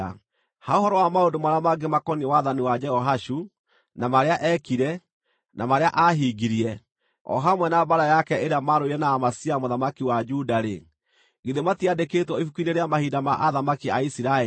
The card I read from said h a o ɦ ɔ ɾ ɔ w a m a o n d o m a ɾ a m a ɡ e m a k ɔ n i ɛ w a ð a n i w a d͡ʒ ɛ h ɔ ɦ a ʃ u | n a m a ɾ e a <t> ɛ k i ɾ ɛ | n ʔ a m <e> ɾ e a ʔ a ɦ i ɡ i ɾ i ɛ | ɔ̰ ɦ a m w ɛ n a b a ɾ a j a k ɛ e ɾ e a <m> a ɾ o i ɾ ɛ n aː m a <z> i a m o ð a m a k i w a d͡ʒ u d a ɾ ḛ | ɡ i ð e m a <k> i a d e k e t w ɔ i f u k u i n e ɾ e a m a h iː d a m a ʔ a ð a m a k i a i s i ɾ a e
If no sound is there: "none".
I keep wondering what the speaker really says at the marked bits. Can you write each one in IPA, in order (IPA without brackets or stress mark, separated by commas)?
ʔ, a, m, s, t